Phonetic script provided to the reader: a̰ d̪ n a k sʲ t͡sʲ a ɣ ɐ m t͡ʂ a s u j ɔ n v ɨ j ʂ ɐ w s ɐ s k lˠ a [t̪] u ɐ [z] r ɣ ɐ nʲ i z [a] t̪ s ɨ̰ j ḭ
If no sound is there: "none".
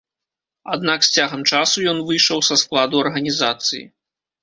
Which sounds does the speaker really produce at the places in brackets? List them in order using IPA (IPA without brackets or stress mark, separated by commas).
d̪, none, a